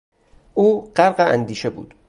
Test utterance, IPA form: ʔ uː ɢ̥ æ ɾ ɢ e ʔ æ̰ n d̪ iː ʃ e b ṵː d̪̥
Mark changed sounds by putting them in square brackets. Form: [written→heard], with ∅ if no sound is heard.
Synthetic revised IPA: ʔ uː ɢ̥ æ ɾ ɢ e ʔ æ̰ n d̪ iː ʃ e b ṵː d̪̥